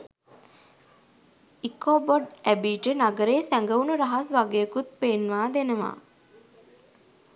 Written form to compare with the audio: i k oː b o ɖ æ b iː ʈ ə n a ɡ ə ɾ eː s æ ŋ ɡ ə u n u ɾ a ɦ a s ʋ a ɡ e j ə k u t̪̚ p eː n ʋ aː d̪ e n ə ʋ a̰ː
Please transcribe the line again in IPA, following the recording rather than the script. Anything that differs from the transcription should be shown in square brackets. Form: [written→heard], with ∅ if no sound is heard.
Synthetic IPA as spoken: i k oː b o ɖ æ b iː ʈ ə n a ɡ ə ɾ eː s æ ŋ ɡ ə u n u ɾ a ɦ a s ʋ a ɡ e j ə k u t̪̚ p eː n ʋ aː d̪ e n ə ʋ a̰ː